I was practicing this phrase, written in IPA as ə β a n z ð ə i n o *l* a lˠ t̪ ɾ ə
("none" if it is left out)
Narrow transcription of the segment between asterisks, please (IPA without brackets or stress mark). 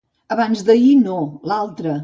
l